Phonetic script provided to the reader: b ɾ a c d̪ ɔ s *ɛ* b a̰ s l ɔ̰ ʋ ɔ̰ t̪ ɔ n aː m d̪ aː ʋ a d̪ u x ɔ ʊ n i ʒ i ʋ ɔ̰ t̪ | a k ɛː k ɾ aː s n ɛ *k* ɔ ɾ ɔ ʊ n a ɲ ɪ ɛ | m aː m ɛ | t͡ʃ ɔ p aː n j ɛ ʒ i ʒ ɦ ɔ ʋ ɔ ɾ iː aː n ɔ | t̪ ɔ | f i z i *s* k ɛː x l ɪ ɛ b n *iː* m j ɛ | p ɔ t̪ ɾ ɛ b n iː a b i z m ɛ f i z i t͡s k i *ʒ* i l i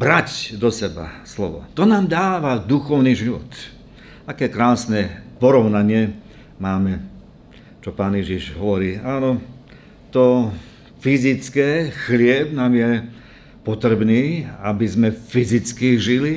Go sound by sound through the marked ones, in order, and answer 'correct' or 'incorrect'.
correct, incorrect: p, incorrect: t͡s, incorrect: aː, correct

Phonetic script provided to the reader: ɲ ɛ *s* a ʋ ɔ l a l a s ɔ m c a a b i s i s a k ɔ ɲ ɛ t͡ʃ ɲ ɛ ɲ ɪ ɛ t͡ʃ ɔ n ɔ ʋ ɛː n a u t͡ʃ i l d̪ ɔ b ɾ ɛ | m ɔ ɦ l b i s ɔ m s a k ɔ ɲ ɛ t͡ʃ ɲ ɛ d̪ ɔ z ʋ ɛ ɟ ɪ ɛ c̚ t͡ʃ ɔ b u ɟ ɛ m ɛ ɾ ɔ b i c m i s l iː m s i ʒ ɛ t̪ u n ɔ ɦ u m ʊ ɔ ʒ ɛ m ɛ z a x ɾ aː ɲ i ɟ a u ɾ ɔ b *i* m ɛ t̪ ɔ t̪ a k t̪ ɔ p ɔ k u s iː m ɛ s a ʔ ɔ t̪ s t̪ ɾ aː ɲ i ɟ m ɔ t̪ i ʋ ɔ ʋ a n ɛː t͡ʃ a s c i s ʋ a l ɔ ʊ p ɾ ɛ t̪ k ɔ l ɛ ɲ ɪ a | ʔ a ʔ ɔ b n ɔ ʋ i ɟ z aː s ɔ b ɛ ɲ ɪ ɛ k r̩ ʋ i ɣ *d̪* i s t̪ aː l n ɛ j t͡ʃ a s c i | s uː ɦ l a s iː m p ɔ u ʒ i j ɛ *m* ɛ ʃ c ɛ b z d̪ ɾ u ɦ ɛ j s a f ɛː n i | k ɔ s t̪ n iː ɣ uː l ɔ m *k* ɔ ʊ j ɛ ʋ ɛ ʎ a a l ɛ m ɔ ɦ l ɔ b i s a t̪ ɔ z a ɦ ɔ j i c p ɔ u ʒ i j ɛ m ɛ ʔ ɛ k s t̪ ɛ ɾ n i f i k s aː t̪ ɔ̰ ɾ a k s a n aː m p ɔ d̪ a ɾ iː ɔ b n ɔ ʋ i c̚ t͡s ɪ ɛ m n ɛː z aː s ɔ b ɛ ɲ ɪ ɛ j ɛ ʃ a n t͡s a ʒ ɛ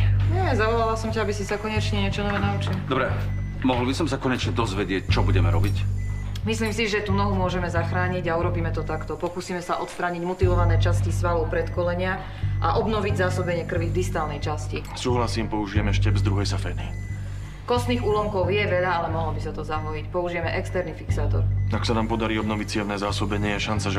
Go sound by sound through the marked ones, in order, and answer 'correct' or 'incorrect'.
incorrect: z, incorrect: iː, correct, correct, correct

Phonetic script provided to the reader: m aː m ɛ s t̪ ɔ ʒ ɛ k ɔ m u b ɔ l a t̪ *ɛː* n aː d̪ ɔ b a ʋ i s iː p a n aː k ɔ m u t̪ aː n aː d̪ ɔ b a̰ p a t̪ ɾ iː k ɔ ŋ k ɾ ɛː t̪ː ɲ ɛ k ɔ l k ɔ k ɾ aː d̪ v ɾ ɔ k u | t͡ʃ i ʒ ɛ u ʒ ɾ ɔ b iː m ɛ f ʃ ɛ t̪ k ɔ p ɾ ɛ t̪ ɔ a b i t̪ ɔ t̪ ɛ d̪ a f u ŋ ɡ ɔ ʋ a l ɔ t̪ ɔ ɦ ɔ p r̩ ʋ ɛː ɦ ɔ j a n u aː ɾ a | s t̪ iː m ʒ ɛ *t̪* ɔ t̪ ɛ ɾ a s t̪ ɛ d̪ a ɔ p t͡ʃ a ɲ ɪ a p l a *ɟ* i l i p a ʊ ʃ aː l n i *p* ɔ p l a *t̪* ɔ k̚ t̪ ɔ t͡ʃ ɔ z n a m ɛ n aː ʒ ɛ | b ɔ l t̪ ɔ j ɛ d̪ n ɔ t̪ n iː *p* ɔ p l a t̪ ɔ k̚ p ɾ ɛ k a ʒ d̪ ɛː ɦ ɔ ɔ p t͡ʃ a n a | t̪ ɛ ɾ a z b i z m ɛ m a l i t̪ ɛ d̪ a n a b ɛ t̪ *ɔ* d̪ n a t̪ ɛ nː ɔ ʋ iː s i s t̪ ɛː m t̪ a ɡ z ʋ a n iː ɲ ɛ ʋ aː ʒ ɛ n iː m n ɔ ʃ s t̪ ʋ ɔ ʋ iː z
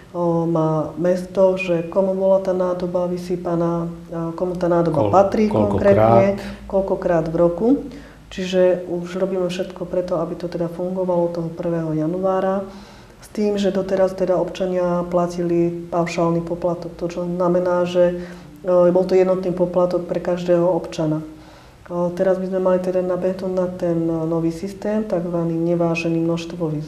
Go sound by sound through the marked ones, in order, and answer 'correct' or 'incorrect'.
incorrect: aː, incorrect: d̪, incorrect: c, correct, correct, correct, incorrect: u

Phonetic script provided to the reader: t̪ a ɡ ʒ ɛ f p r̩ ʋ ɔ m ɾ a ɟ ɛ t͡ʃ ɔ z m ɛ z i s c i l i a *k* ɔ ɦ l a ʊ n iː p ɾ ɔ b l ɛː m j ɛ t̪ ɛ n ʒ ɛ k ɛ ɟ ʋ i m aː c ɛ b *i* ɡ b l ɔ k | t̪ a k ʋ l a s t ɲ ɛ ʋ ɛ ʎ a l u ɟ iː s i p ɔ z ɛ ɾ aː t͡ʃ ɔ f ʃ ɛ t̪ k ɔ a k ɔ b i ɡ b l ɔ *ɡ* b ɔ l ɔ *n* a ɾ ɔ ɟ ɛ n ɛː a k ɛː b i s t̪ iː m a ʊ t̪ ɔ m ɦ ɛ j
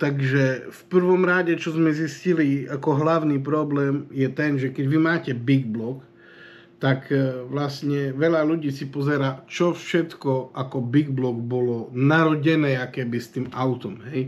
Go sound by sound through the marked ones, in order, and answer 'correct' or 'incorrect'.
correct, correct, correct, correct

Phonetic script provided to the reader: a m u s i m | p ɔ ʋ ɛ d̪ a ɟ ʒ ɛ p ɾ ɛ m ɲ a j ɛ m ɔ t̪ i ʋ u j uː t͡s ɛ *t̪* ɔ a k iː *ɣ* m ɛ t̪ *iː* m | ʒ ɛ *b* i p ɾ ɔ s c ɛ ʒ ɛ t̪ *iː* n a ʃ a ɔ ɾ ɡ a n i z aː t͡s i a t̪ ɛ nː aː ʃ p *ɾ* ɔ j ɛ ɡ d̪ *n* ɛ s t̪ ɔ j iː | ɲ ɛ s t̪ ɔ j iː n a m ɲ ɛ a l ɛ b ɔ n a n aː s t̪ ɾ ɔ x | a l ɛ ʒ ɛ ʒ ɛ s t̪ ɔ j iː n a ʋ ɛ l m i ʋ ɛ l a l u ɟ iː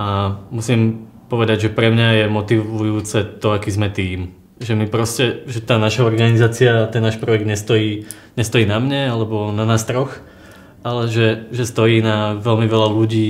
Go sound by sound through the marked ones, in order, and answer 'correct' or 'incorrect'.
correct, incorrect: z, correct, incorrect: m, incorrect: aː, correct, incorrect: ɲ

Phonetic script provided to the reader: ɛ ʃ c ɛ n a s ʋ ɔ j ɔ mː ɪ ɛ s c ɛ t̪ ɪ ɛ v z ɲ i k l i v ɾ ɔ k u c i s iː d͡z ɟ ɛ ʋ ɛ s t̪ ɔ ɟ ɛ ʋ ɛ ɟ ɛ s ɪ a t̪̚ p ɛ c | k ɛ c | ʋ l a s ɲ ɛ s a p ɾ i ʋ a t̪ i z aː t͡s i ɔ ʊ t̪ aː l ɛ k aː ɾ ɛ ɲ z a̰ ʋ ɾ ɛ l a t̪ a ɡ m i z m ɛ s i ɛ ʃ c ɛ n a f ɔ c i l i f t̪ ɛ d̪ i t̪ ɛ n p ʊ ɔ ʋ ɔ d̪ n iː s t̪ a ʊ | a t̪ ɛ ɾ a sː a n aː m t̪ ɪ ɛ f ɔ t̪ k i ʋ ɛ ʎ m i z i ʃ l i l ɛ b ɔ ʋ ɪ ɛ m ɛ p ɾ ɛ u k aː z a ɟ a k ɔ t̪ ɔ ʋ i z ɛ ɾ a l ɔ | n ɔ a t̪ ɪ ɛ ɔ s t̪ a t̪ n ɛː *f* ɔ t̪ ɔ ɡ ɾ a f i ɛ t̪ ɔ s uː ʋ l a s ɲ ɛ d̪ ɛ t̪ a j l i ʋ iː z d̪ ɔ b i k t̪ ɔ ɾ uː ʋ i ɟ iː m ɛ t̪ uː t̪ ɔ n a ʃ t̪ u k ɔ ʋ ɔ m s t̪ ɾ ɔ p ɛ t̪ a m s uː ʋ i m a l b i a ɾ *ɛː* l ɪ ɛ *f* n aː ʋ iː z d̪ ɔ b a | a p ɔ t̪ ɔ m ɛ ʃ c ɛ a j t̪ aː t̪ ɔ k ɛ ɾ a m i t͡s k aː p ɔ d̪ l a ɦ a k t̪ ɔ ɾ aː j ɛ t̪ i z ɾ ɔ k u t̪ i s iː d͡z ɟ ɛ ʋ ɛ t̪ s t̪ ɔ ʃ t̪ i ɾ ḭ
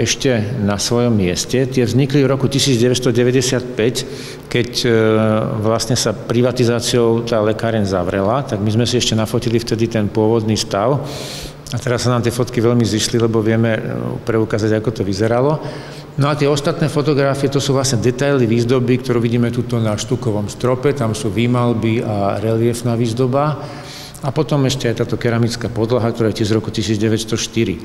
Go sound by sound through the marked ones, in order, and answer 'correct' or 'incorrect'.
correct, incorrect: ɛ, correct

